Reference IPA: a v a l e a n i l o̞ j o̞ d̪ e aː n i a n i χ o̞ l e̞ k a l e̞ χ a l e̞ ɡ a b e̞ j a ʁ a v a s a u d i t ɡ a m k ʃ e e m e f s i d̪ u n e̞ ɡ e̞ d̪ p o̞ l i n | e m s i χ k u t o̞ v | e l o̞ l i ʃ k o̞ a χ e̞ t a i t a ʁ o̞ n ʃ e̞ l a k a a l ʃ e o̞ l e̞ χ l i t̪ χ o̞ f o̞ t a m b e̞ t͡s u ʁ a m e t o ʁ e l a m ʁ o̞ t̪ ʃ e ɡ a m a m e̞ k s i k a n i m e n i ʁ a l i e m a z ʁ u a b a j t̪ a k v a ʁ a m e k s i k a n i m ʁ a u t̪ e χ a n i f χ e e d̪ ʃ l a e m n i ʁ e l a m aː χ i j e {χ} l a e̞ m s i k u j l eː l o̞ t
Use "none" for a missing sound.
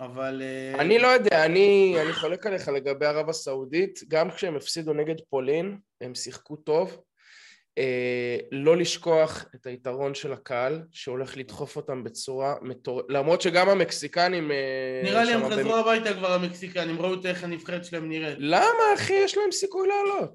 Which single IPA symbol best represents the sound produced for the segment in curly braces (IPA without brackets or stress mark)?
ʃ